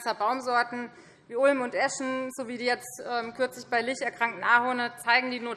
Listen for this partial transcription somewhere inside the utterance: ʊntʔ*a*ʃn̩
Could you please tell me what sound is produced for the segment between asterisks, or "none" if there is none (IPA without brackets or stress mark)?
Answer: ɛ